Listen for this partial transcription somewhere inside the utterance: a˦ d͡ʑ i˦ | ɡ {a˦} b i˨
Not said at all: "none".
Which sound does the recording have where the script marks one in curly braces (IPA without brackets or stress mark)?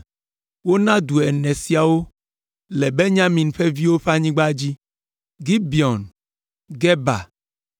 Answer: i˦